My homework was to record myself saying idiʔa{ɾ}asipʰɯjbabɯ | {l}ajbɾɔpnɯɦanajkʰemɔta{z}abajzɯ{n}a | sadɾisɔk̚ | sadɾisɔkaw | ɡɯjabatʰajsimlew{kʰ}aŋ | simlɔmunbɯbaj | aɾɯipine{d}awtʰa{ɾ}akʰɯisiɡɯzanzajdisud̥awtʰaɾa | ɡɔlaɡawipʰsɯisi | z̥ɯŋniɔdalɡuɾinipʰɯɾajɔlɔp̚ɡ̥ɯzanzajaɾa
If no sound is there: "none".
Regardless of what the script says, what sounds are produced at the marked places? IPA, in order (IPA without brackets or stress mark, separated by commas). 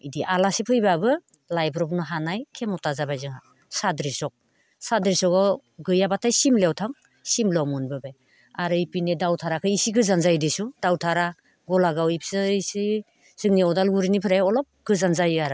l, l, z, ŋ, tʰ, d, ɾ